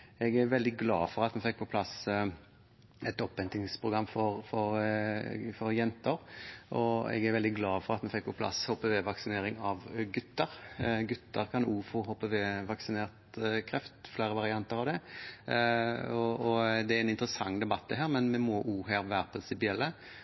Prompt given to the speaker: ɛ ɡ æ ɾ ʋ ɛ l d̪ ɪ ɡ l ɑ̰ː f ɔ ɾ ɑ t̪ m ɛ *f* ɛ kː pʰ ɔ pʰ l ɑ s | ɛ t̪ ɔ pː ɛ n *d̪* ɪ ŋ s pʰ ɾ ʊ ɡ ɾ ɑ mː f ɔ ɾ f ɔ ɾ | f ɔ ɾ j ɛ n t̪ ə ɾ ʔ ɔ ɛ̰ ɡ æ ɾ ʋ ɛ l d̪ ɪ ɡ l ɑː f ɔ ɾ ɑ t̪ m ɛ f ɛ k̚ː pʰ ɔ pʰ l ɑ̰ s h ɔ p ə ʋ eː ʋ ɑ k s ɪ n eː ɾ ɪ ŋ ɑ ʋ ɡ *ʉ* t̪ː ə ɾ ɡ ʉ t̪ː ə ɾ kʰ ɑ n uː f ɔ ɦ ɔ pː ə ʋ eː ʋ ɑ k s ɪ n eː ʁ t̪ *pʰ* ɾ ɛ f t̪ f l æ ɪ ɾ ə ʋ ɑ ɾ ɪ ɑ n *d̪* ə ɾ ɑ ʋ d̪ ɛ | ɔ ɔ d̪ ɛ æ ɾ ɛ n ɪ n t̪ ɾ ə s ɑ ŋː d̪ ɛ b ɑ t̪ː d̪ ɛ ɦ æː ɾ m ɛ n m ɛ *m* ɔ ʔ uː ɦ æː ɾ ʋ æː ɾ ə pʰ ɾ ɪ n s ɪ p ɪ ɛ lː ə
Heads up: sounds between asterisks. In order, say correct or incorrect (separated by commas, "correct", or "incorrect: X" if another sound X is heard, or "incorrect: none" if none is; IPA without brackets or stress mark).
correct, incorrect: t̪, correct, incorrect: kʰ, incorrect: t̪, correct